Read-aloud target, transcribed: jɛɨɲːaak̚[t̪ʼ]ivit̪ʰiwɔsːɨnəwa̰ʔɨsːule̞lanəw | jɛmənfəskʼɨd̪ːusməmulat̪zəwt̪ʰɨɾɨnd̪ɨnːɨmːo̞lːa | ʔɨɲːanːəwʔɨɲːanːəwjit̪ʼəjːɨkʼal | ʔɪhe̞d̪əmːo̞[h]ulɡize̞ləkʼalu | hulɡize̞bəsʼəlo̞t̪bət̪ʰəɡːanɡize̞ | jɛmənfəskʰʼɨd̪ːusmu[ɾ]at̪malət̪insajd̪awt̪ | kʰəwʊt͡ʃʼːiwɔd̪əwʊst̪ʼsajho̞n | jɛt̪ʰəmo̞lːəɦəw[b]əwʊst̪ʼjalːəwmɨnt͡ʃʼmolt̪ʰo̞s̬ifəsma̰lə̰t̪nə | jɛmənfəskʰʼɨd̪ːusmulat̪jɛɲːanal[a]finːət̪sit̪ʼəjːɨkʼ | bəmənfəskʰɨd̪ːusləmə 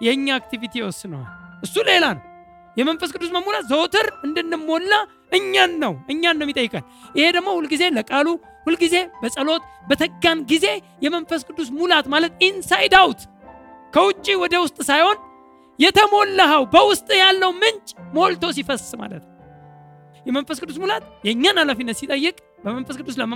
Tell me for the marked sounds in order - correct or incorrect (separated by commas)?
incorrect, correct, incorrect, correct, correct